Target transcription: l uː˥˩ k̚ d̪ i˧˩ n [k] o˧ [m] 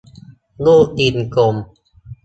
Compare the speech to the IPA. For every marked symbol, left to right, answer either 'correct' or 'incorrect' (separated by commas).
correct, correct